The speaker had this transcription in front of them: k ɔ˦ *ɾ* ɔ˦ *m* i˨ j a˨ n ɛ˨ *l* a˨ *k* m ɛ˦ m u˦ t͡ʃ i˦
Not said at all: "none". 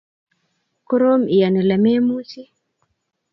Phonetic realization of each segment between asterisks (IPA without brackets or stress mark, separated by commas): ɾ, m, l, none